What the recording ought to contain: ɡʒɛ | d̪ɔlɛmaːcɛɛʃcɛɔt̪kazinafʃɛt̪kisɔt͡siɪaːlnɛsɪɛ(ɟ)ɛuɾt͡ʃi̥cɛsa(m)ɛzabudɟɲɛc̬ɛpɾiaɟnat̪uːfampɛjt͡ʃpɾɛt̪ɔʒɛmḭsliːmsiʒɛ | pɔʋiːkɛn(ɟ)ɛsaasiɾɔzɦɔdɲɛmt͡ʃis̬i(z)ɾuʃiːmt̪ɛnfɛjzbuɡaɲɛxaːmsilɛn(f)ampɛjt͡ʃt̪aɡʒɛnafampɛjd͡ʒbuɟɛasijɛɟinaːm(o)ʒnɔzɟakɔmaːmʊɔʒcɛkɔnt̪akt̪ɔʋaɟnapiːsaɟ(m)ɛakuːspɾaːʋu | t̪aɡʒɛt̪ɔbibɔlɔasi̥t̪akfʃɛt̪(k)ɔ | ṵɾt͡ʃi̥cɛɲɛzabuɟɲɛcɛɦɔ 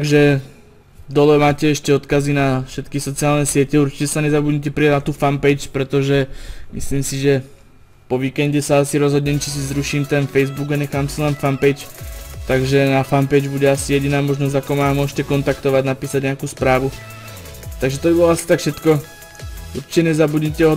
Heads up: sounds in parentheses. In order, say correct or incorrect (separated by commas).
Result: incorrect, incorrect, correct, correct, correct, incorrect, incorrect, correct